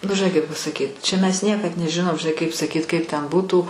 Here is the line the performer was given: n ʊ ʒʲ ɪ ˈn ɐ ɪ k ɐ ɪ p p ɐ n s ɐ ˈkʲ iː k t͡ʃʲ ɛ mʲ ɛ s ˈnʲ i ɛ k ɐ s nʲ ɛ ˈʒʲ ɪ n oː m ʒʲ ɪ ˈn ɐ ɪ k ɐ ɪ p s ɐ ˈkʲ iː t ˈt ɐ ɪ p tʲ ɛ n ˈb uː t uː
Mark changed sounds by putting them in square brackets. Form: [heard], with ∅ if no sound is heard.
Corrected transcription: n ʊ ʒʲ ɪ ˈn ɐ ɪ k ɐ ɪ p p ɐ [∅] s ɐ ˈkʲ iː [t] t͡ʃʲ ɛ mʲ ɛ s ˈnʲ i ɛ k ɐ [t] nʲ ɛ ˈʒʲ ɪ n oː m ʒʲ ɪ ˈn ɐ ɪ k ɐ ɪ p s ɐ ˈkʲ iː t [ˈk] ɐ ɪ p tʲ ɛ n ˈb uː t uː

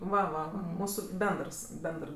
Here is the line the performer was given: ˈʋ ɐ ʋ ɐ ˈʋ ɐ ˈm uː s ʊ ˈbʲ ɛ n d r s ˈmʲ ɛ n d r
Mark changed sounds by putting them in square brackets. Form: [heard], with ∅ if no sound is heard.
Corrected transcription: ˈʋ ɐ ʋ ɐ ˈʋ ɐ ˈm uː s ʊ ˈbʲ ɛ n d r s [ˈbʲ] ɛ n d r

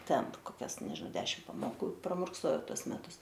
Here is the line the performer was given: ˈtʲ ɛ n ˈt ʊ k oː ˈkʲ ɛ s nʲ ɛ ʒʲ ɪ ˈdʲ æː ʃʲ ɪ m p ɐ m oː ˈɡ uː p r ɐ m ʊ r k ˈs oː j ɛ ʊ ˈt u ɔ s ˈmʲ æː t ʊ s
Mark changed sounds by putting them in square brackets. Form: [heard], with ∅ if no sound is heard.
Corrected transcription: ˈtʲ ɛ n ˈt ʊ k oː ˈkʲ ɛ s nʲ ɛ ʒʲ ɪ ˈdʲ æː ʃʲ ɪ m p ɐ m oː [ˈk] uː p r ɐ m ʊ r k ˈs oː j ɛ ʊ ˈt u ɔ s ˈmʲ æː t ʊ s

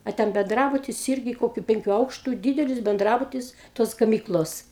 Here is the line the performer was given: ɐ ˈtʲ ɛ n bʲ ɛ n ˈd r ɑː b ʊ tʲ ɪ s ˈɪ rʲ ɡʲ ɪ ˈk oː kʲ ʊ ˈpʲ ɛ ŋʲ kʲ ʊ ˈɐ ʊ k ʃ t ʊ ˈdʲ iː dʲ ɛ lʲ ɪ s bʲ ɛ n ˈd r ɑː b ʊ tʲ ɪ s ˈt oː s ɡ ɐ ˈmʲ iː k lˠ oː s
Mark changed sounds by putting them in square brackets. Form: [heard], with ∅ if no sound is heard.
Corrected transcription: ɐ ˈtʲ ɛ n bʲ ɛ n ˈd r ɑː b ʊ tʲ ɪ s ˈɪ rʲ ɡʲ ɪ ˈk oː kʲ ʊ ˈpʲ ɛ ŋʲ kʲ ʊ ˈɐ ʊ k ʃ t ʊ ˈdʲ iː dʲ ɛ lʲ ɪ s bʲ ɛ n ˈd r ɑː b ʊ tʲ ɪ s ˈt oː s ɡ ɐ ˈmʲ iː k lˠ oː s

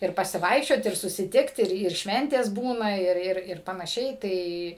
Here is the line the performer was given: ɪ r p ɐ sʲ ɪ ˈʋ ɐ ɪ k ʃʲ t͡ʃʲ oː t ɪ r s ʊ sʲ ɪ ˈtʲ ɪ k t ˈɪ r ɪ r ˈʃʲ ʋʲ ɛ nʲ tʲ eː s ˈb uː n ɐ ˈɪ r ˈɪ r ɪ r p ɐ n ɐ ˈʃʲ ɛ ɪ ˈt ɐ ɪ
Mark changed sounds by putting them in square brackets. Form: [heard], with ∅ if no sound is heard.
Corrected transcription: ɪ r p ɐ sʲ ɪ ˈʋ ɐ ɪ k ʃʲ t͡ʃʲ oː t ɪ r s ʊ sʲ ɪ ˈtʲ ɪ k t ˈɪ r ɪ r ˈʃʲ ʋʲ ɛ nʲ tʲ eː s ˈb uː n ɐ ˈɪ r ˈɪ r ɪ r p ɐ n ɐ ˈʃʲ ɛ ɪ ˈt ɐ ɪ

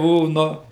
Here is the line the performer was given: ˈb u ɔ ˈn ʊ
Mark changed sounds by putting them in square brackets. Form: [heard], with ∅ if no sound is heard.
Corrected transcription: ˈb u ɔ ˈn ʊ

